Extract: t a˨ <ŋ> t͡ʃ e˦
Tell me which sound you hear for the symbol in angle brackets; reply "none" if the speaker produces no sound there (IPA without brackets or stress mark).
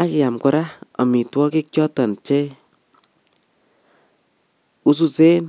n